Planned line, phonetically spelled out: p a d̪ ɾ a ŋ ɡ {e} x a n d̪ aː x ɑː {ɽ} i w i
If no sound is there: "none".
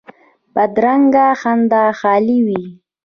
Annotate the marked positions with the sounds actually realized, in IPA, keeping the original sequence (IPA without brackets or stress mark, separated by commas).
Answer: a, l